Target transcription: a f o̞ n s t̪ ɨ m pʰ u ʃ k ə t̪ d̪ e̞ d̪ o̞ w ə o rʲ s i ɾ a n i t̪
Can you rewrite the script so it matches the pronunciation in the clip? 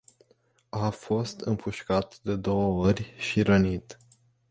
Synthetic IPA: a f o̞ s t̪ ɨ m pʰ u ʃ k a t̪ d̪ e̞ d̪ o̞ w ə o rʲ ʃ i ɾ ə n i t̪